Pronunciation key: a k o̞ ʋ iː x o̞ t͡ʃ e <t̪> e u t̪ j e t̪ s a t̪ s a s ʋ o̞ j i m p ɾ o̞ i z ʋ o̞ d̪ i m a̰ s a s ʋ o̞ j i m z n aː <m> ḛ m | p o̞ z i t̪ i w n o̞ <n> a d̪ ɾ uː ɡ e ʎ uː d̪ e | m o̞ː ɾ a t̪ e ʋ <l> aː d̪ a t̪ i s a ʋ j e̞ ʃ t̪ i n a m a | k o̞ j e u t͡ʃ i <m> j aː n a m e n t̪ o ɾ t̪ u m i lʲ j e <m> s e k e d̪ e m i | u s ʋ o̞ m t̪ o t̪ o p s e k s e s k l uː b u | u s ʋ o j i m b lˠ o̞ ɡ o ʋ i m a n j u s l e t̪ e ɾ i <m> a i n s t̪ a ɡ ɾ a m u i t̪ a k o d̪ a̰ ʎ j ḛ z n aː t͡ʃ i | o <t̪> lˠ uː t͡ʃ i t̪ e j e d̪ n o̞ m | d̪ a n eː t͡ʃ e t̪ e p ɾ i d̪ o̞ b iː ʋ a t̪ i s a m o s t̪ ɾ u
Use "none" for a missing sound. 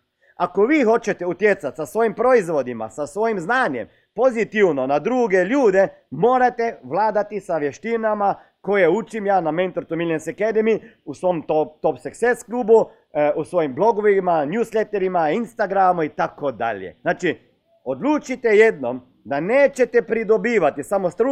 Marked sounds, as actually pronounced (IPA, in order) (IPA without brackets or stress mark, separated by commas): t̪, ɲ, n, l, m, n, m, d̪